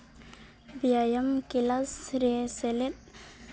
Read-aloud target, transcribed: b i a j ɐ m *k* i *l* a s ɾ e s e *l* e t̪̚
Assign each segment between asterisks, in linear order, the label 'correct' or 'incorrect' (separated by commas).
correct, correct, correct